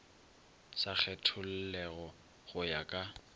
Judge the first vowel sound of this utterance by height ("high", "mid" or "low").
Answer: low